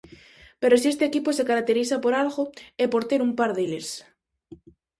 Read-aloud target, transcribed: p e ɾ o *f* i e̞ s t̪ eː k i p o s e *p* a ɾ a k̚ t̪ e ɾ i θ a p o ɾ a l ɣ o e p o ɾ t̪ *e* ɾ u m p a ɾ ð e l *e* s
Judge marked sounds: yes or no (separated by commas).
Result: no, no, yes, yes